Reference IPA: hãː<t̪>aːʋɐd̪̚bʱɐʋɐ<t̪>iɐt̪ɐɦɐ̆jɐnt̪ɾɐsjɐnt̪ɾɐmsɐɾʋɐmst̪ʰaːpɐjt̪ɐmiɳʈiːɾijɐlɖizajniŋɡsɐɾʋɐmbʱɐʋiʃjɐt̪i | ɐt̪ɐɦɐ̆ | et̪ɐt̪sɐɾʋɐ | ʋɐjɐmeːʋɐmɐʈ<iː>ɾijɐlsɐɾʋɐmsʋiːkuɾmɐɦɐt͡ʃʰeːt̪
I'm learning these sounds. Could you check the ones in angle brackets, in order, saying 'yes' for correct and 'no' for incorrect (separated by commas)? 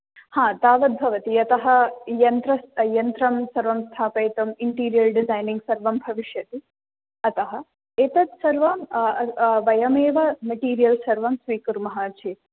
yes, yes, yes